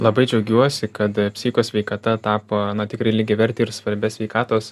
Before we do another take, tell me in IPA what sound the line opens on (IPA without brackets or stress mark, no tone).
lˠ